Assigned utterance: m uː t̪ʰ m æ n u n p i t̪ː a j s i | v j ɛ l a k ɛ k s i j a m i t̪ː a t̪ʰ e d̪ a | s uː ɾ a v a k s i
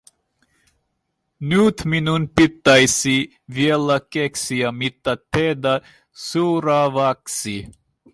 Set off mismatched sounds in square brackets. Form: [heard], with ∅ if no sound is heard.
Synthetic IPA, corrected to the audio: [n] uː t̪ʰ m [i] n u n p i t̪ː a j s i | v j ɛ l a k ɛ k s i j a m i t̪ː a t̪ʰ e d̪ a | s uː ɾ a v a k s i